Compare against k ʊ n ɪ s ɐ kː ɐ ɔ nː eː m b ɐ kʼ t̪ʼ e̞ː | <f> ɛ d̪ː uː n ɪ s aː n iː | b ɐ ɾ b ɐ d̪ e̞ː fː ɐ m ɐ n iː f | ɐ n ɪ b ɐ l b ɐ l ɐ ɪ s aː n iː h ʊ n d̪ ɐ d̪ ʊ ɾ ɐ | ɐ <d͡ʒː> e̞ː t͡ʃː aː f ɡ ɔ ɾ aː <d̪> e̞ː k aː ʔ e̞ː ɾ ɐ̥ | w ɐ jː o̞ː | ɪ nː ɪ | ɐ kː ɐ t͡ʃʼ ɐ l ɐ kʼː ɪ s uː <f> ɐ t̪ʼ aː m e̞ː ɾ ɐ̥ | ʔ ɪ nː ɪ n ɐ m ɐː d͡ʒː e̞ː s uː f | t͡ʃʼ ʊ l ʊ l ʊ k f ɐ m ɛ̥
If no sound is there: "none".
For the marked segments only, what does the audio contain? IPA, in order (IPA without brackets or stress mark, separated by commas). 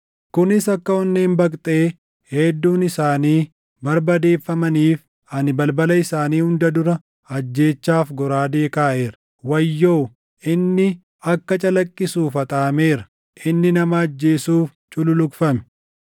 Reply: h, d͡ʒː, d̪, f